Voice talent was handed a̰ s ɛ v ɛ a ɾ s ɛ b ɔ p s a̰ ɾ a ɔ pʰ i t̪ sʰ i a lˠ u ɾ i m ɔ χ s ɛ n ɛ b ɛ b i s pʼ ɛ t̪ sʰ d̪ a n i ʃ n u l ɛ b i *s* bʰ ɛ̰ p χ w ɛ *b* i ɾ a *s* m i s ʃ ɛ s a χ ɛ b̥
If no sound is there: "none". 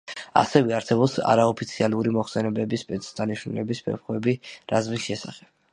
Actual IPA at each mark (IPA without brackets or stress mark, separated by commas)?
s, b, z